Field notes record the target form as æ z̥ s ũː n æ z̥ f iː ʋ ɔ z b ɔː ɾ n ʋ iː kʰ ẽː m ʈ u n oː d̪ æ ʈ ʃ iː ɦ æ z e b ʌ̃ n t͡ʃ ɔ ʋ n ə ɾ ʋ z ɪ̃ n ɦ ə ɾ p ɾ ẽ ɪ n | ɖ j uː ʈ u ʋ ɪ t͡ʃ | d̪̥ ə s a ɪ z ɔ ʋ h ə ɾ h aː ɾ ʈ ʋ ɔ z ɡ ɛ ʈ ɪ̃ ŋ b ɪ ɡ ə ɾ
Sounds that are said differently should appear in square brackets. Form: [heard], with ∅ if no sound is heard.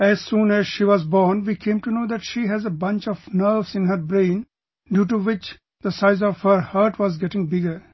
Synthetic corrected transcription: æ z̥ s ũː n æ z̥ [ʃ] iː ʋ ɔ z b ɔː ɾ n ʋ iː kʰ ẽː m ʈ u n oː d̪ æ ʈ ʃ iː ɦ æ z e b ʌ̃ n t͡ʃ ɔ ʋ n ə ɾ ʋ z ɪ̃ n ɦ ə ɾ [b] ɾ ẽ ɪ n | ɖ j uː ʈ u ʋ ɪ t͡ʃ | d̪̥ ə s a ɪ z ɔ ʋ h ə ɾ h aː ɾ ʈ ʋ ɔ z ɡ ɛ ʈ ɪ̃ ŋ b ɪ ɡ ə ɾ